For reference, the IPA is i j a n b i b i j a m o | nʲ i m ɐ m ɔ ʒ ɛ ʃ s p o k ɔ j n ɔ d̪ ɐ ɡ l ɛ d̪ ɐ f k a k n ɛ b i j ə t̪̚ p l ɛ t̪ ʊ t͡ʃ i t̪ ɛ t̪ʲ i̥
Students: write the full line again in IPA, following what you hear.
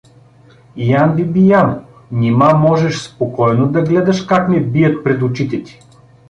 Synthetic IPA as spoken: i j a n b i b i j a m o | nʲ i m a m ɔ ʒ ɛ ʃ s p o k ɔ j n o d̪ ɐ ɡ l ɛ d̪ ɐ ʃ k a k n ɛ b i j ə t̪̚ p ɾ ɛ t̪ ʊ t͡ʃ i t̪ ɛ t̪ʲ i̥